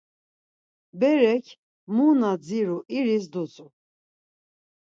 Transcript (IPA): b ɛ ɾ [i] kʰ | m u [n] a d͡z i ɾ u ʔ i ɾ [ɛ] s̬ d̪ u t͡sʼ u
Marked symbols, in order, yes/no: no, yes, no

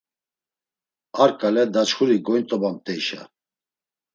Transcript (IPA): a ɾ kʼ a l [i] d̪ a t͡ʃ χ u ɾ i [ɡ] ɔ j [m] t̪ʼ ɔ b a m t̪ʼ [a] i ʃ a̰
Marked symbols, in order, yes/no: no, yes, no, no

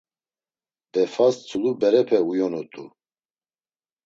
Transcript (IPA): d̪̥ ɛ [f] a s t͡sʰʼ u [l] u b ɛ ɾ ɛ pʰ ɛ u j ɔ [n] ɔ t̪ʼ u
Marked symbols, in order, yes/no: yes, yes, yes

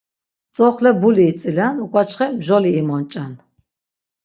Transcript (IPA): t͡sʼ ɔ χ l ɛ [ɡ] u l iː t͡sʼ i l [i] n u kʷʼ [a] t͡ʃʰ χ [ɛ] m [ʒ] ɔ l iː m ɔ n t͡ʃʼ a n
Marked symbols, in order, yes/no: no, no, yes, yes, yes

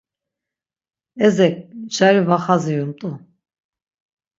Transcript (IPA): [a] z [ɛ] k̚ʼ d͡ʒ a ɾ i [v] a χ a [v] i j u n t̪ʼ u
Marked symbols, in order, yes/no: no, yes, yes, no

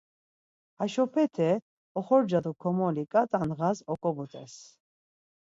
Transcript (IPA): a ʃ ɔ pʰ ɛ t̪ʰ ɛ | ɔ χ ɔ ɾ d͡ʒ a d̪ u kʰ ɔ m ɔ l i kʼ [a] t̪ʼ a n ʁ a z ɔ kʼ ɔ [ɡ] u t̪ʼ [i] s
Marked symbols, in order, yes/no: yes, no, no

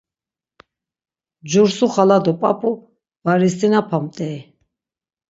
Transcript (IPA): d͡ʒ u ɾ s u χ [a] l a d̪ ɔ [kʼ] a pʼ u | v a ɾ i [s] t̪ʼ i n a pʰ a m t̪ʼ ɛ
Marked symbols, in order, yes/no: yes, no, yes

